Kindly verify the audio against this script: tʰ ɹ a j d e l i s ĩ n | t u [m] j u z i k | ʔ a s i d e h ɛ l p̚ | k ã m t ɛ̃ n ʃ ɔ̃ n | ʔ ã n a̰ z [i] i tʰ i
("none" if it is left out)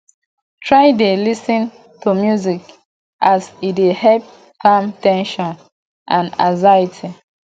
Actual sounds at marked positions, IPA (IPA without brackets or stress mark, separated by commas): m, a